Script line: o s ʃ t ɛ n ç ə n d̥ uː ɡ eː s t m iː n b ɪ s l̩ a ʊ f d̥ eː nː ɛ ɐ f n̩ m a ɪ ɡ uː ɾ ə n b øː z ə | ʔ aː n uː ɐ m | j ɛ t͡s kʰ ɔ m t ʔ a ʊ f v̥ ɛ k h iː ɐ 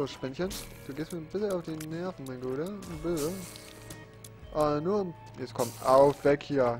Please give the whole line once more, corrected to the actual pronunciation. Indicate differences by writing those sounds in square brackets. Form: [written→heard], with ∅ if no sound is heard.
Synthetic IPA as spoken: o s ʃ [t→p] ɛ n ç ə n d̥ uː ɡ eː s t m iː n b ɪ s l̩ a ʊ f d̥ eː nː ɛ ɐ f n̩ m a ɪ ɡ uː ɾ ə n b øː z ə | ʔ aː n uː ɐ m | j ɛ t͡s kʰ ɔ m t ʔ a ʊ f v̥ ɛ k h iː ɐ